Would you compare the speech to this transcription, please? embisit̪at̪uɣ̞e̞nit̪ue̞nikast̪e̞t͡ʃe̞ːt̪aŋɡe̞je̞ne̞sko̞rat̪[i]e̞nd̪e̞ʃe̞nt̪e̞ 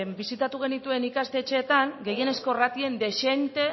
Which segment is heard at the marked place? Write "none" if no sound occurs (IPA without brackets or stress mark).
i